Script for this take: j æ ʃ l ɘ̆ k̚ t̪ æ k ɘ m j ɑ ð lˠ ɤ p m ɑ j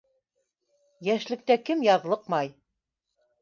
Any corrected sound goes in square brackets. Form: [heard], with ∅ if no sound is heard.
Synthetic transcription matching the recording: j æ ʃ l ɘ̆ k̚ t̪ æ k ɘ m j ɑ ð lˠ ɤ [q] m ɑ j